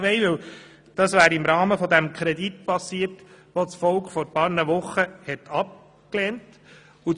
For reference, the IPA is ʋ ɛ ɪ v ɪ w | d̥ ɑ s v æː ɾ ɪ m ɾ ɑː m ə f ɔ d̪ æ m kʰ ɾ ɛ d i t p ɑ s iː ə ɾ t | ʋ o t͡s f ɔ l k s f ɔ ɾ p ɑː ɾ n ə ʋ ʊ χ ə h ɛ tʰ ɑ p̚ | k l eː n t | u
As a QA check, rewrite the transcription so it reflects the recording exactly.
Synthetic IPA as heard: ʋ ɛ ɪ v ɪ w | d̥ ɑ s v æː ɾ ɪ m ɾ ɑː m ə f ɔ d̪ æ m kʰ ɾ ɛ d i t p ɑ s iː ə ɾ t | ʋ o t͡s f ɔ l k χ f ɔ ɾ p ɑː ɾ n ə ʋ ʊ χ ə h ɛ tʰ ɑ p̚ | k l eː n t | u